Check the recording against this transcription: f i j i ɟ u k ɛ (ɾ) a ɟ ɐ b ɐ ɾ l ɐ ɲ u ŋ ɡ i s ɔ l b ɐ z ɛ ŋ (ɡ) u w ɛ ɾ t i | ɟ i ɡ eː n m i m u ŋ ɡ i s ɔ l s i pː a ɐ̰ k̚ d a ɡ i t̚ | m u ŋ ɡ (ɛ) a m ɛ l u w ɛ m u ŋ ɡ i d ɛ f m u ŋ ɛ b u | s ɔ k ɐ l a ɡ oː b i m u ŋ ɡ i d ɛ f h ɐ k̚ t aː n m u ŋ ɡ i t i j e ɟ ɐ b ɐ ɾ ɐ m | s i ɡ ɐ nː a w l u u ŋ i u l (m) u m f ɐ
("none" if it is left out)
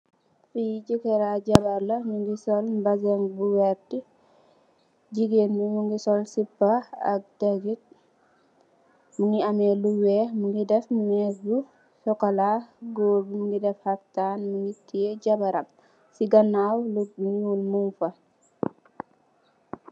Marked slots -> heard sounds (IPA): ɾ, b, i, m

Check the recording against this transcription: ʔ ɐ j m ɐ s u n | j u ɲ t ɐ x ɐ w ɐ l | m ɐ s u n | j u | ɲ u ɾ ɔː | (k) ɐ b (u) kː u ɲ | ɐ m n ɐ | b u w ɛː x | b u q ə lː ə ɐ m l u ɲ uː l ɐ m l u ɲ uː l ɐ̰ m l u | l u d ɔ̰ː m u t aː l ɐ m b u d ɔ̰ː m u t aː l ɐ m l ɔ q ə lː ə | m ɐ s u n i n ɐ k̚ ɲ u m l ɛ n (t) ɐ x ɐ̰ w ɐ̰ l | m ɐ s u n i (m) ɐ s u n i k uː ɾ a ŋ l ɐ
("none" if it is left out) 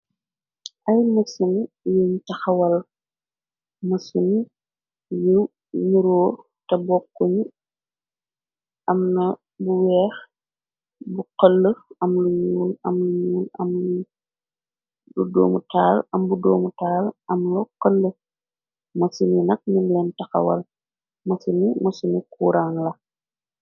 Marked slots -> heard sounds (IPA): t, ɔ, t, m

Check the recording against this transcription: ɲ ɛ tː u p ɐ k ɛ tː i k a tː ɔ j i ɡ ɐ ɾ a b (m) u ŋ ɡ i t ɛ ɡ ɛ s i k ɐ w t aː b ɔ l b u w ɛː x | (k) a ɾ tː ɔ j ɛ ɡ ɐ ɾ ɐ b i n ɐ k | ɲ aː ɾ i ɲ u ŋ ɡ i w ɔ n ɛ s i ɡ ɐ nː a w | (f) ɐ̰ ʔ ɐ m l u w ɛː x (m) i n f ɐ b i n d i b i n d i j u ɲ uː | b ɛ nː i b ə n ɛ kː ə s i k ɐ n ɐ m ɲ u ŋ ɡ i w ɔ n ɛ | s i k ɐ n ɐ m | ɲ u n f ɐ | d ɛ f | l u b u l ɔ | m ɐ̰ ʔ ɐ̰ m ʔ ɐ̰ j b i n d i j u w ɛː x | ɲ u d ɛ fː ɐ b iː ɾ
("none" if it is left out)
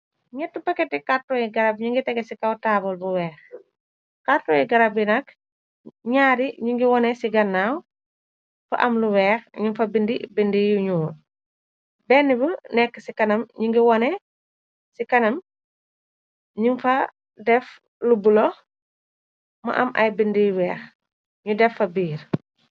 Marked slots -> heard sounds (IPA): ɲ, k, f, ɲ

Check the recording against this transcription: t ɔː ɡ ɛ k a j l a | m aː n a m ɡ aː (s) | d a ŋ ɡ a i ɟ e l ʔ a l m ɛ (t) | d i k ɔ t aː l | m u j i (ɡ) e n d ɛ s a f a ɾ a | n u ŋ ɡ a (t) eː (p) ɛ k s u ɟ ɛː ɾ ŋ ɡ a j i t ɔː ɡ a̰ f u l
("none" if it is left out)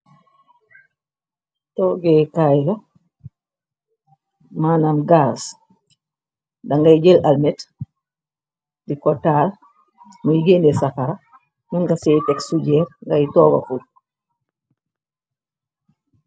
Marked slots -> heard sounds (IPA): s, t, ɡ, s, t

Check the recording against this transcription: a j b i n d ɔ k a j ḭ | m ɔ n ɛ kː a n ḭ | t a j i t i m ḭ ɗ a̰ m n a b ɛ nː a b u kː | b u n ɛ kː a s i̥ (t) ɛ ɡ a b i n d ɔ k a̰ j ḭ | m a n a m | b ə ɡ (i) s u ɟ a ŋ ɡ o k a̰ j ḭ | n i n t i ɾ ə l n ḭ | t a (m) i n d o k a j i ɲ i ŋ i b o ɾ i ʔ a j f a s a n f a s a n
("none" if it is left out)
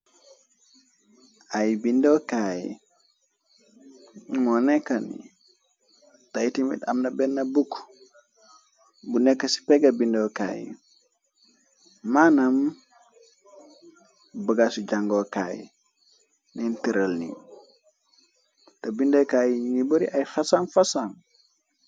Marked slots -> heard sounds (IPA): p, a, b

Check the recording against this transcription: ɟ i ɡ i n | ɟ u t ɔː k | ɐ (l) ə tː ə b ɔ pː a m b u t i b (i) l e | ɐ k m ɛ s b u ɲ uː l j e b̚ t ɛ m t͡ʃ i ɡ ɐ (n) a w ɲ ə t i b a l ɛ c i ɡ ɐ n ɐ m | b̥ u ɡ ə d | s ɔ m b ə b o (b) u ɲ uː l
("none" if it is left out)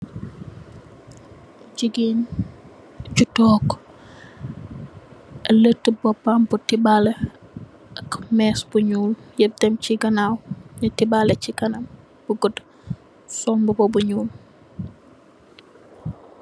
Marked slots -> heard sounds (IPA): l, a, n, b

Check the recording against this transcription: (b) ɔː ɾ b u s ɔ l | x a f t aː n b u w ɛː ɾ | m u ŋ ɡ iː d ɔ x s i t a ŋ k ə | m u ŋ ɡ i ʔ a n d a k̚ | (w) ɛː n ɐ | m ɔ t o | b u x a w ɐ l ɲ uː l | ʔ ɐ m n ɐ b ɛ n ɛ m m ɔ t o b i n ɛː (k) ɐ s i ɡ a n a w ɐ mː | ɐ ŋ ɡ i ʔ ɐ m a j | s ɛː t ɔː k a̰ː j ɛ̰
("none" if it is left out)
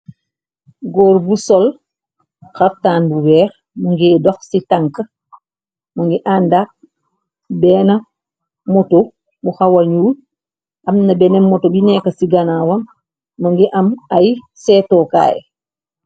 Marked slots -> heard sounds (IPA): ɡ, b, k

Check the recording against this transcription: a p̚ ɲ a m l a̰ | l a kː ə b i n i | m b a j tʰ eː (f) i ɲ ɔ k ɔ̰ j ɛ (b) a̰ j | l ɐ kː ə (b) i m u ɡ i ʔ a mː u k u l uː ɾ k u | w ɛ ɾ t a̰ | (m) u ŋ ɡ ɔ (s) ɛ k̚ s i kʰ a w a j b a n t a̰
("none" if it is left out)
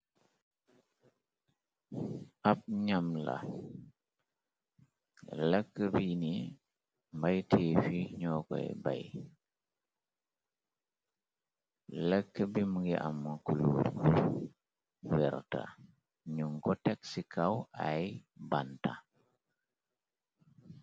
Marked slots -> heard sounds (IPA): f, b, b, ɲ, t

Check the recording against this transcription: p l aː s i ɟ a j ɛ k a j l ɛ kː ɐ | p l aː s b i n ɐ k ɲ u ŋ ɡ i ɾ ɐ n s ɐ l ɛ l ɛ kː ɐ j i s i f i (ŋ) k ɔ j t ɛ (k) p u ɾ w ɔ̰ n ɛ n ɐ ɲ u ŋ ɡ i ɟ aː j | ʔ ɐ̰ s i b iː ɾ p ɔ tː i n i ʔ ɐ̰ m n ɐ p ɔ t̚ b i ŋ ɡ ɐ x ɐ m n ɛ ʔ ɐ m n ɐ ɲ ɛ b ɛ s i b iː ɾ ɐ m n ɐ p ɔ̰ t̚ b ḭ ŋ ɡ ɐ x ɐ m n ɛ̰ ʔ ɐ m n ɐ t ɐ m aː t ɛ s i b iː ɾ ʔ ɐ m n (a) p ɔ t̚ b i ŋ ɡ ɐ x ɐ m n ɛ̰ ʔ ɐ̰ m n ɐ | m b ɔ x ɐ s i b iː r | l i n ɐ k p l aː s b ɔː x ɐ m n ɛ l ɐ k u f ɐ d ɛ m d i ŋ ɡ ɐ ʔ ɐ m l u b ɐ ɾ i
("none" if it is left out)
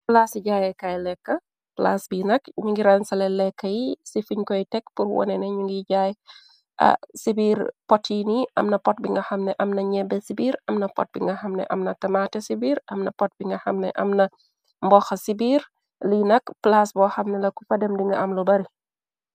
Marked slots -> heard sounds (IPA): ɲ, k, ɐ

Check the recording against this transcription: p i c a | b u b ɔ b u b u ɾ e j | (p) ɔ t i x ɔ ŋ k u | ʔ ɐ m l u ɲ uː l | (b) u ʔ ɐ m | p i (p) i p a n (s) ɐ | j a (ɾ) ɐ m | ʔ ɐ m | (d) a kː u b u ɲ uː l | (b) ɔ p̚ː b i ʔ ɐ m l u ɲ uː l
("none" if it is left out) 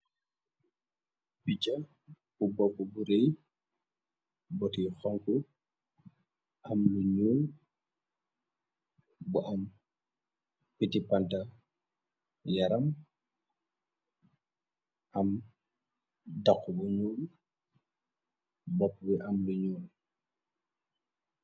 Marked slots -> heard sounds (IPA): b, b, t, t, ɾ, d, b

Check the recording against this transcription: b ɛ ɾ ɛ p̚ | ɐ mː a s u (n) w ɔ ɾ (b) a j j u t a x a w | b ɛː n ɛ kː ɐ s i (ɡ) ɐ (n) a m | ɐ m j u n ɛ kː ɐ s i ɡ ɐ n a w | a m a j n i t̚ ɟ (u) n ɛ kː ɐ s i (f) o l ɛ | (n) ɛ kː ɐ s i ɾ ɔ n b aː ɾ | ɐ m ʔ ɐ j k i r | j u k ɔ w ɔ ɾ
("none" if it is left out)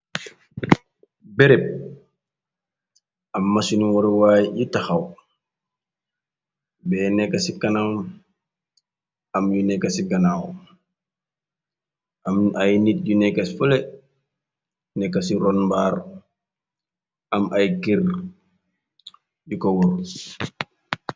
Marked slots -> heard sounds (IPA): n, w, k, n, u, f, n

